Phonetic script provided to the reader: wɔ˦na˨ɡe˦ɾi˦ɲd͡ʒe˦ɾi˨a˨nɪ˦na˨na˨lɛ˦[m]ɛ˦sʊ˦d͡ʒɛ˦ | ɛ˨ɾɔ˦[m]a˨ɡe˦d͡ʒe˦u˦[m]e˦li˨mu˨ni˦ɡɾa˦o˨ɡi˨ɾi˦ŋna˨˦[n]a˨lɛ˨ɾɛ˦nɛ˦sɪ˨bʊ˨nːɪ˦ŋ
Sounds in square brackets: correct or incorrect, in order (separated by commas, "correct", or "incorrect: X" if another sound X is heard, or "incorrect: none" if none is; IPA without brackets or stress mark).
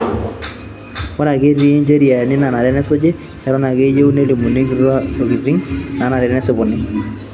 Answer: incorrect: n, incorrect: n, incorrect: n, correct